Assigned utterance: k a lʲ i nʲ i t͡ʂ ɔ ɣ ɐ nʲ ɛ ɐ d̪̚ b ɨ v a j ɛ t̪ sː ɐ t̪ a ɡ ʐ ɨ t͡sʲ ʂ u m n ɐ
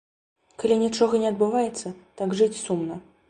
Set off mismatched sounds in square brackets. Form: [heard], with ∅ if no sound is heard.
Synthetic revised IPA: k a lʲ i nʲ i t͡ʂ ɔ ɣ ɐ nʲ ɛ ɐ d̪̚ b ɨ v a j ɛ t̪ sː ɐ t̪ a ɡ ʐ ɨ t͡sʲ [s] u m n ɐ